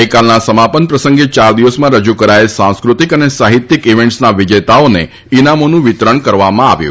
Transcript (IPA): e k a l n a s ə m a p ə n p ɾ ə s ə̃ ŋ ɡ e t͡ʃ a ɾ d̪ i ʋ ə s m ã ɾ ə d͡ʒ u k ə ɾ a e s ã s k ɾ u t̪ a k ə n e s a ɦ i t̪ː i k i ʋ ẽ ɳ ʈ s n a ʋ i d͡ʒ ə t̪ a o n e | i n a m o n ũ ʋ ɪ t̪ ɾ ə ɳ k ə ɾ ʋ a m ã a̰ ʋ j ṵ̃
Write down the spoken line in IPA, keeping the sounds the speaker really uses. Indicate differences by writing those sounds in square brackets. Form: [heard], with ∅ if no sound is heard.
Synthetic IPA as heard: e k a l n a s ə m a p ə n p ɾ ə s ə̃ ŋ ɡ e t͡ʃ a ɾ d̪ i ʋ ə s m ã ɾ ə d͡ʒ u k ə ɾ a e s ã s k ɾ u t̪ [i] k ə n e s a ɦ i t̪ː i k i ʋ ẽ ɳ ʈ s n a ʋ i d͡ʒ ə t̪ a o n e | i n a m o n ũ ʋ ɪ t̪ ɾ ə ɳ k ə ɾ ʋ a m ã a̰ ʋ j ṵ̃